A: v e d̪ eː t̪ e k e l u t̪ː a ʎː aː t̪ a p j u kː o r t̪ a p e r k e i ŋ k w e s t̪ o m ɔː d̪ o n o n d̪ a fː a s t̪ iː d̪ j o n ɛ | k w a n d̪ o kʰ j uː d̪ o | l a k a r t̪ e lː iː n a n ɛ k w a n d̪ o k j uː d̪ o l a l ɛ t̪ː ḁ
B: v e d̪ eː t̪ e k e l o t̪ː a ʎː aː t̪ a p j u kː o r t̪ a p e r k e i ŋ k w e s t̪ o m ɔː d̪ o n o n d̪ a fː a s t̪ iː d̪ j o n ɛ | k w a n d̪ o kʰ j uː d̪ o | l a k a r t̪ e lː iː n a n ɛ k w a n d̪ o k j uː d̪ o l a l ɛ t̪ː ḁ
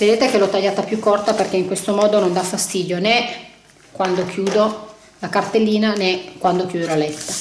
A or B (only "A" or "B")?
B